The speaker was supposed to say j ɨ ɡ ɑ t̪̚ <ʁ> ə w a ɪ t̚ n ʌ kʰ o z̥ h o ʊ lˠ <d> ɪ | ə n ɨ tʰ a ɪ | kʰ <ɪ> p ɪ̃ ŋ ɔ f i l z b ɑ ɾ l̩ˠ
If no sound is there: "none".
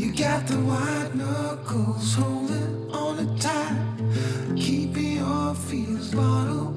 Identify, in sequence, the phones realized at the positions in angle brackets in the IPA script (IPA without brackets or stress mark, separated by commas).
ð, d, i